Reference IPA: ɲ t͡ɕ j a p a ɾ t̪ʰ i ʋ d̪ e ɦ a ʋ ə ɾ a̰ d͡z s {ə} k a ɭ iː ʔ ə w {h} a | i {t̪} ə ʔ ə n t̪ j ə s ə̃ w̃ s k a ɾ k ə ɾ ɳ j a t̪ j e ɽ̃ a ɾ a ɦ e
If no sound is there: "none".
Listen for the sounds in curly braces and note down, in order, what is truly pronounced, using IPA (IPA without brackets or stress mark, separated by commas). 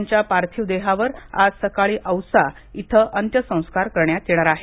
ə, s, t̪ʰ